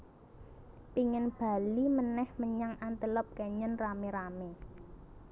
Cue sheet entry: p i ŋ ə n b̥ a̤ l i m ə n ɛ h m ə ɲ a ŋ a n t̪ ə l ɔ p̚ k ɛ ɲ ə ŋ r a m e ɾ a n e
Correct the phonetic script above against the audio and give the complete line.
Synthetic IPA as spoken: p i ŋ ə n b̥ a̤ l i m ə n ɛ h m ə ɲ a ŋ a n t̪ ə l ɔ p̚ k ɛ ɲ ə n r a m e ɾ a m e